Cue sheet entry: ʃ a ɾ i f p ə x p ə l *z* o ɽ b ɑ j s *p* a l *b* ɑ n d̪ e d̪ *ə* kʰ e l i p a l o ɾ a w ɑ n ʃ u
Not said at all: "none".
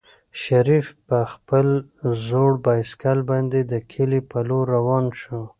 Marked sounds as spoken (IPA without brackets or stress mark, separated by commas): z, k, b, ə